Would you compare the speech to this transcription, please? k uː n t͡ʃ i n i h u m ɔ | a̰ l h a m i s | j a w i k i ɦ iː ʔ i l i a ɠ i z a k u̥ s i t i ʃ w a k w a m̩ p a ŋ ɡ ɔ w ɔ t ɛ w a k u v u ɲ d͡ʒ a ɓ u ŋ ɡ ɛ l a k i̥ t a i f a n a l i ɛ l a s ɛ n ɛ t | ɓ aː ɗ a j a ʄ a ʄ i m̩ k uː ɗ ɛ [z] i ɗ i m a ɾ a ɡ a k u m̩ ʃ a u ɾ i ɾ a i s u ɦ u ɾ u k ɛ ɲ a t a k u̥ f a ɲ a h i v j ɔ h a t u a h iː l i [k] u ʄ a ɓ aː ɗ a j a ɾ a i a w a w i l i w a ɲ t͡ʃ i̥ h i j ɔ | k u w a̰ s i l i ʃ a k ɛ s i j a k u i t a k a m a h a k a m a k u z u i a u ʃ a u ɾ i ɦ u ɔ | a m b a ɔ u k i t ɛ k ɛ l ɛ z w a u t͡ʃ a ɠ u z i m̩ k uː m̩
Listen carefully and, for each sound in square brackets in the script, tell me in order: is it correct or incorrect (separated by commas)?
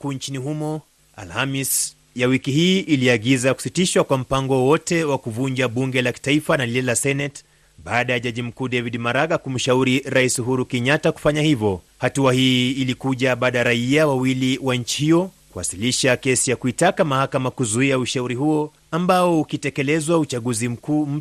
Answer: incorrect, correct